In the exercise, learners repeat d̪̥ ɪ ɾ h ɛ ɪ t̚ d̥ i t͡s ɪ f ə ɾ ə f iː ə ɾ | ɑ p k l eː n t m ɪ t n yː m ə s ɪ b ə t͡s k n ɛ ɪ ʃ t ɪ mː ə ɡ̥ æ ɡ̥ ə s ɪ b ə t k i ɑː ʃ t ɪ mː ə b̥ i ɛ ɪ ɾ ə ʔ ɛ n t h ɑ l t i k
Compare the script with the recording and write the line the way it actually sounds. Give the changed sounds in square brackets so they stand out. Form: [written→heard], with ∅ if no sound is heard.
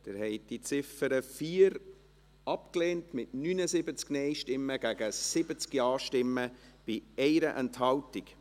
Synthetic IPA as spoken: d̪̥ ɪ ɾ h ɛ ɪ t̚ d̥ i t͡s ɪ f ə ɾ ə f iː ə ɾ | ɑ p k l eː n t m ɪ t n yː [m→n] ə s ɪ b ə t͡s k n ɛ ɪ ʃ t ɪ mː ə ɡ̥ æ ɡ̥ ə s ɪ b ə [t→t͡s] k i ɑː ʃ t ɪ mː ə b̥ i ɛ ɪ ɾ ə ʔ ɛ n t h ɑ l t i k

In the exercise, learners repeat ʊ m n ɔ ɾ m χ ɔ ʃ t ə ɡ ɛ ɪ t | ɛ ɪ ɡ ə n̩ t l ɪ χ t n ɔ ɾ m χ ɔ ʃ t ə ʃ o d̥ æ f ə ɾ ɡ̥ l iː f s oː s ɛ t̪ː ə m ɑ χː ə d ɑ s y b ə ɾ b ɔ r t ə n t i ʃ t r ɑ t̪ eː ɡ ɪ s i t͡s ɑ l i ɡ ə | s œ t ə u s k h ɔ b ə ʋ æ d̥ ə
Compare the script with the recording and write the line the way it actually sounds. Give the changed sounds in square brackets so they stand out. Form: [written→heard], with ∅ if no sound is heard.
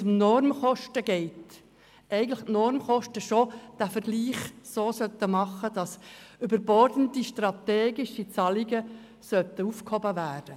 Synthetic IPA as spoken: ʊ m n ɔ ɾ m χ ɔ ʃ t ə ɡ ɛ ɪ t | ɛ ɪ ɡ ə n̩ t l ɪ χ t n ɔ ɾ m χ ɔ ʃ t ə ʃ o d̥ æ f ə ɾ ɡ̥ l iː [f→χ] s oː s [ɛ→œ] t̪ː ə m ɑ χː ə d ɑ s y b ə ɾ b ɔ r [t→d] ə n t i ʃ t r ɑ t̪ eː ɡ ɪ [s→ʃ] i t͡s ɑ l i ɡ ə | s œ t ə u [s→f] k h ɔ b ə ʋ [æ→æː] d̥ ə

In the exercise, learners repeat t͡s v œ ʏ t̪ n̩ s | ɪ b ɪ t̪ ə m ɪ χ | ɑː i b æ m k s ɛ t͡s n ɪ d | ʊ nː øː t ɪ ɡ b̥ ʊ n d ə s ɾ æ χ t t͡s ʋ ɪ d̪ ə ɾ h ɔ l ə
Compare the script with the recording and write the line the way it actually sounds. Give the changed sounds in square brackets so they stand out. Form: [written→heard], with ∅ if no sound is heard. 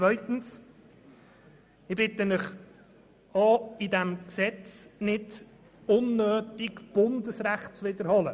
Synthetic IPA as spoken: t͡s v œ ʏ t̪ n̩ s | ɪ b ɪ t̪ ə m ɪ χ | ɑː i [b→d] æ m k s ɛ t͡s n ɪ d | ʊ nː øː t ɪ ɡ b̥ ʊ n d ə s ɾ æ χ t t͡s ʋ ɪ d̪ ə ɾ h ɔ l ə

